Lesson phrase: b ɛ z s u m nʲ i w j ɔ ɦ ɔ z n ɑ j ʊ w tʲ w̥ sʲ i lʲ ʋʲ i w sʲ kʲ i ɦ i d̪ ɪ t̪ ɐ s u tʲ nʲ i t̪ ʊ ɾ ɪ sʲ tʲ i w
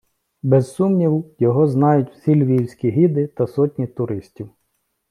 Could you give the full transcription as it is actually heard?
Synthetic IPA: b ɛ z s u m nʲ i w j ɔ ɦ ɔ z n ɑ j ʊ tʲ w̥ sʲ i lʲ ʋʲ i w sʲ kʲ i ɦ i d̪ ɪ t̪ ɐ s ɔ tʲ nʲ i t̪ ʊ ɾ ɪ sʲ tʲ i w